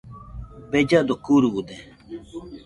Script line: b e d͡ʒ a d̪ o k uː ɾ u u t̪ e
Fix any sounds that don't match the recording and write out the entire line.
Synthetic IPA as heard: b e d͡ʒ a d̪ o k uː ɾ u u d̪ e

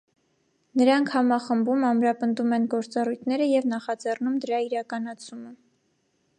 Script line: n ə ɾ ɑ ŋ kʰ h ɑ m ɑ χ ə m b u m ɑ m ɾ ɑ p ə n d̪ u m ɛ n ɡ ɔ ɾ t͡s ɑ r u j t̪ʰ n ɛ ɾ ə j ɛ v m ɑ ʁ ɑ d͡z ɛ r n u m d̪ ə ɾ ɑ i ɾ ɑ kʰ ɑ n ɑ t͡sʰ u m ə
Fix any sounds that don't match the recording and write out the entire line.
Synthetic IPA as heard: n ə ɾ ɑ ŋ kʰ h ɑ m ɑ χ ə m b u m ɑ m ɾ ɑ p ə n d̪ u m ɛ n ɡ ɔ ɾ t͡s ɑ r u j t̪ʰ n ɛ ɾ ə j ɛ v n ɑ χ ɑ d͡z ɛ r n u m d̪ ə ɾ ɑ i ɾ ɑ k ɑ n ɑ t͡sʰ u m ə

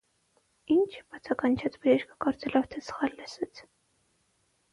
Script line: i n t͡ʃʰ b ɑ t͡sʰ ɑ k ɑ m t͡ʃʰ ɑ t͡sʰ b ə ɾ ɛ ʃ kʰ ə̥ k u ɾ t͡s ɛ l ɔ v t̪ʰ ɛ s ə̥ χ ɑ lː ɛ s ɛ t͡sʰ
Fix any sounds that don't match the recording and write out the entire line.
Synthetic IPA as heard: i n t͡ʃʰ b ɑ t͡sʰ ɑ k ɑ n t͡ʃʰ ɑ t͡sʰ b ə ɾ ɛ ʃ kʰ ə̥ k ɔ ɾ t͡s ɛ l ɔ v t̪ʰ ɛ s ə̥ χ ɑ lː ɛ s ɛ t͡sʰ

